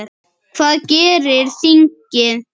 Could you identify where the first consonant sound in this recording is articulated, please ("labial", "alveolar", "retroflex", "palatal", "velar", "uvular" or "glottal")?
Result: labial